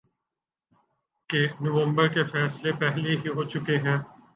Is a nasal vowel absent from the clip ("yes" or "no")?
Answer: no